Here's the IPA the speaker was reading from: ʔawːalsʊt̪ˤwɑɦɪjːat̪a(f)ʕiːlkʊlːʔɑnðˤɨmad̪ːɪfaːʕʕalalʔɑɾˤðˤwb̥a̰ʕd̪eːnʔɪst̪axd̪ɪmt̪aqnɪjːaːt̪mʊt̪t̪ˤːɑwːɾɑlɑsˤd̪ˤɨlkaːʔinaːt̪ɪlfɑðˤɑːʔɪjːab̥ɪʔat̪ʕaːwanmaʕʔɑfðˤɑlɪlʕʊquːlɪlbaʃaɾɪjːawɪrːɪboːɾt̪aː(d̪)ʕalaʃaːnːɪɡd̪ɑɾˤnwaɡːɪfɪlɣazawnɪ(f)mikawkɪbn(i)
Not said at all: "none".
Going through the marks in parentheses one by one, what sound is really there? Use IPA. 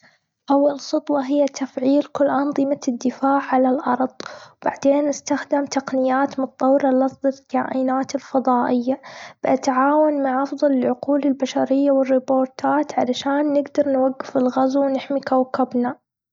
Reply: f, t̪, ħ, a

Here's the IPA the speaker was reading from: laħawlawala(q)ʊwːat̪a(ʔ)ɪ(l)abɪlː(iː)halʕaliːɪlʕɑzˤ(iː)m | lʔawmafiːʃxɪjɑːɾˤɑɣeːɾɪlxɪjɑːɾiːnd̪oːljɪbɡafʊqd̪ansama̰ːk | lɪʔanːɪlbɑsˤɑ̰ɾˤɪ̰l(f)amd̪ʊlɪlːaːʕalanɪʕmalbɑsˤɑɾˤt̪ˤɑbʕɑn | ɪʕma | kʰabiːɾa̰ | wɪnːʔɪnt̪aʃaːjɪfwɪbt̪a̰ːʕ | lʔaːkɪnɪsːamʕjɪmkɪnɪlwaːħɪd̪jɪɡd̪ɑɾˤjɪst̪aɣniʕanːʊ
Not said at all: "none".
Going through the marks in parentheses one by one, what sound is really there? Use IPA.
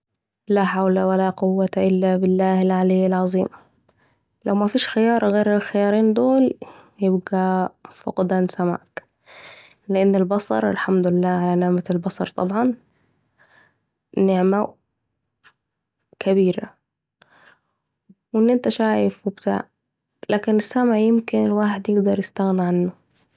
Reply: q, ʔ, lː, aː, iː, ħ

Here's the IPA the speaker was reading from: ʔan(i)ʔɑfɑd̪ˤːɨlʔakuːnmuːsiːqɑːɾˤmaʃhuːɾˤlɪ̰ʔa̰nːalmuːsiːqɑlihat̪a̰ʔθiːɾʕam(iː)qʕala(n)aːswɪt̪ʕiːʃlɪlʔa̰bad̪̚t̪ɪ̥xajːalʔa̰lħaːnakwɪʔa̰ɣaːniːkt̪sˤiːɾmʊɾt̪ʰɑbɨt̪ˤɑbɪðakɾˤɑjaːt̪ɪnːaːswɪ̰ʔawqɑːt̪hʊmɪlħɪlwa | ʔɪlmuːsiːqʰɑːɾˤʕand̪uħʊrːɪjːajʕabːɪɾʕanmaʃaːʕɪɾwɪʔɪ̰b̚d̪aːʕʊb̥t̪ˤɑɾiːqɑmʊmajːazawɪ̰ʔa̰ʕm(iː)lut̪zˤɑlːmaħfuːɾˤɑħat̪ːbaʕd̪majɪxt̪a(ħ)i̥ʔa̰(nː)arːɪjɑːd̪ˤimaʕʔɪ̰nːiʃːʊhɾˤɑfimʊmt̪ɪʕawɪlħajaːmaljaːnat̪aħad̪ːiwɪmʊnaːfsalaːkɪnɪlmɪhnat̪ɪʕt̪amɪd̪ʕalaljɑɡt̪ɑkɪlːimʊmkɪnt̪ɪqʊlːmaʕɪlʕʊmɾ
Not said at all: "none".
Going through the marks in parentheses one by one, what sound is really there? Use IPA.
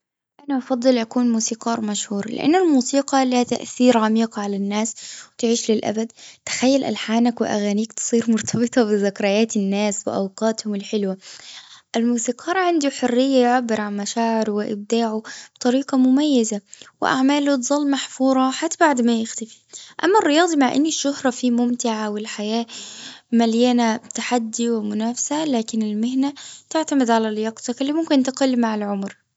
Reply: a, iː, nː, aː, f, mː

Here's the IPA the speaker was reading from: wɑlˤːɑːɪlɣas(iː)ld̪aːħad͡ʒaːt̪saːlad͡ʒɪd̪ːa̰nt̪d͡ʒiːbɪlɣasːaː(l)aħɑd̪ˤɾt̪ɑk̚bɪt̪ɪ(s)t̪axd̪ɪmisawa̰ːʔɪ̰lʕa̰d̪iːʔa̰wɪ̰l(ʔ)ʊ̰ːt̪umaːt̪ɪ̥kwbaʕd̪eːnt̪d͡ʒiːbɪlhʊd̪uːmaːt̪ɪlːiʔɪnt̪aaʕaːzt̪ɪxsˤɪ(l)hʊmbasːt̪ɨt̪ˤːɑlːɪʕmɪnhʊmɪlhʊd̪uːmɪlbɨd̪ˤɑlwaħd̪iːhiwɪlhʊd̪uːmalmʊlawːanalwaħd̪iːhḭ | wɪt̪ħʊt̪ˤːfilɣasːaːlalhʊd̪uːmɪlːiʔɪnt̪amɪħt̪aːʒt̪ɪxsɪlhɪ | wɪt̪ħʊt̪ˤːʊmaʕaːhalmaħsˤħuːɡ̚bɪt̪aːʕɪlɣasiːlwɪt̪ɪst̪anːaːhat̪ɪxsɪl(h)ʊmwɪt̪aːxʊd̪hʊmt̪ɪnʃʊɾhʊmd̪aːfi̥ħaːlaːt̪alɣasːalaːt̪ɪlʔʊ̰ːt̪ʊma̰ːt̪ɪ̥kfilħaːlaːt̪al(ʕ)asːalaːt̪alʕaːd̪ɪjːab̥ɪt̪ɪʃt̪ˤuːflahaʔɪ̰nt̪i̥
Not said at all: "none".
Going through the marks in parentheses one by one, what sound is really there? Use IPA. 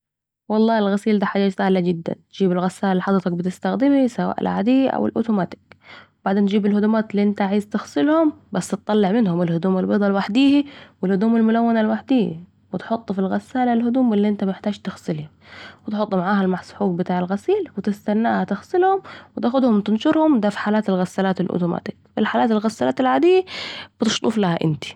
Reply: iː, l, s, ʔ, l, h, ɣ

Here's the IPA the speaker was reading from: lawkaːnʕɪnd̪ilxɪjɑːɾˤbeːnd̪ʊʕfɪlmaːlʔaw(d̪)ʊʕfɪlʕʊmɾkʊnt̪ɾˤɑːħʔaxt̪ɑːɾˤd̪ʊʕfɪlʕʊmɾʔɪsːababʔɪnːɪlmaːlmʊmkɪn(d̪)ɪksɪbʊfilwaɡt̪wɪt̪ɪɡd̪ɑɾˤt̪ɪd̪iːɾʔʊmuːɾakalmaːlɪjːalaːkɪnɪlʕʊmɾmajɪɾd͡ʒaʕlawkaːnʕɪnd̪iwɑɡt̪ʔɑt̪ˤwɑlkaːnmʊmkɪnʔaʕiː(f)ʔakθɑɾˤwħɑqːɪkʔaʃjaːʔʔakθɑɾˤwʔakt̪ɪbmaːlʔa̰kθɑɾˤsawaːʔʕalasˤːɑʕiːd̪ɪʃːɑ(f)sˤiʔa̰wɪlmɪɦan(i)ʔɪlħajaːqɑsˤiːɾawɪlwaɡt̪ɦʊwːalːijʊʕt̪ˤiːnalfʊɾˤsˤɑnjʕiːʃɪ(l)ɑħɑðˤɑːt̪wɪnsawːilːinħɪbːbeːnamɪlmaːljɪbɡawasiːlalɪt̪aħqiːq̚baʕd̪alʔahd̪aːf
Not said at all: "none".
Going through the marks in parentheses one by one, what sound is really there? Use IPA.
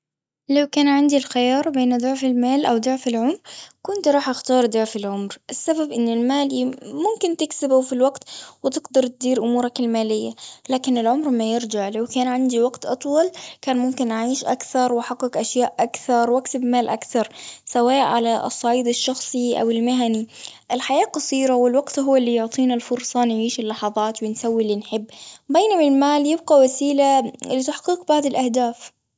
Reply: d̪, t̪, ʃ, x, i, lː

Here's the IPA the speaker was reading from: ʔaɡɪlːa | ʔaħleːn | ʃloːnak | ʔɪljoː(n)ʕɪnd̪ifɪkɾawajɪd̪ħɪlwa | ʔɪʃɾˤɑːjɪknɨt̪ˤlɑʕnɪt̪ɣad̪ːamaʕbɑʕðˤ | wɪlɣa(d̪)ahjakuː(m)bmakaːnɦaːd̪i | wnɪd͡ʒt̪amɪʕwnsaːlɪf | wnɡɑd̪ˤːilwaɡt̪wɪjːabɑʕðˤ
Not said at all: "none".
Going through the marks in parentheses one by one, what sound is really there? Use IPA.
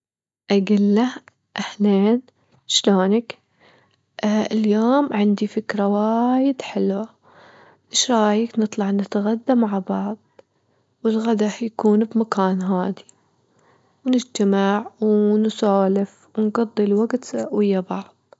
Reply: m, d̪, n

